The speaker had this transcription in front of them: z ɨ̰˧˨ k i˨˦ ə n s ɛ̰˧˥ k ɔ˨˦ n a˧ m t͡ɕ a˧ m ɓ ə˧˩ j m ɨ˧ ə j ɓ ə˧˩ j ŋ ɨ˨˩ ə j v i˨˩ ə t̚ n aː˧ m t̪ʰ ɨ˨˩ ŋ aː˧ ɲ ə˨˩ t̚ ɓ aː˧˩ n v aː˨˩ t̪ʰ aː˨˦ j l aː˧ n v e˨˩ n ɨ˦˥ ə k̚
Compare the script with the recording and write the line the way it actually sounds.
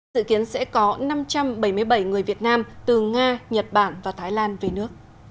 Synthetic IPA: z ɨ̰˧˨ k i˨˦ ə n s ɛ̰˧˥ k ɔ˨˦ n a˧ m t͡ɕ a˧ m ɓ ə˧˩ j m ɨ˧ ə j ɓ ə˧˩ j ŋ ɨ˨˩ ə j v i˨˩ ə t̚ n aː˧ m t̪ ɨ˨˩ ŋ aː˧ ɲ ə˨˩ t̚ ɓ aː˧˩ n v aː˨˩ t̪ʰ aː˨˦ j l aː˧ n v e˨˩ n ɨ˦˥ ə k̚